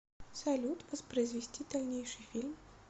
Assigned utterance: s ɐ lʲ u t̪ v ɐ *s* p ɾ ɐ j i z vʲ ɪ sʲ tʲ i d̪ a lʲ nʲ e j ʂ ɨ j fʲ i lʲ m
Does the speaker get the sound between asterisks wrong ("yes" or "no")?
no